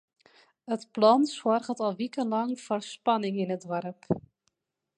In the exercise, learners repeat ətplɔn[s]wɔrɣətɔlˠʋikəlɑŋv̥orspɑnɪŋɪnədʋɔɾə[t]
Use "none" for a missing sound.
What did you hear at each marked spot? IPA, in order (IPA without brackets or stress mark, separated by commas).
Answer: s, p